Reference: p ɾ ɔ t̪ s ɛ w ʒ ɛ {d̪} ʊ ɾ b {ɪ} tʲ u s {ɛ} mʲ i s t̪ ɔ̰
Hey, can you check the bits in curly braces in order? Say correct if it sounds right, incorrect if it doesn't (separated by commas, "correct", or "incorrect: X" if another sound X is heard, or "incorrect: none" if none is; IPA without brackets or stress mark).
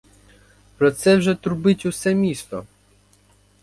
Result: incorrect: t̪, correct, correct